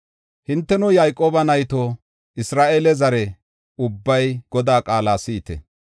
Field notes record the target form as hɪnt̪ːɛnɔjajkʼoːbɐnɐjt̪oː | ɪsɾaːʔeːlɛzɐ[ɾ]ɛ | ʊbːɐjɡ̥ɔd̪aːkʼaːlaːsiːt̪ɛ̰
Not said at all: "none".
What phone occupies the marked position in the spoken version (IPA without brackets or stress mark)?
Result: ɾ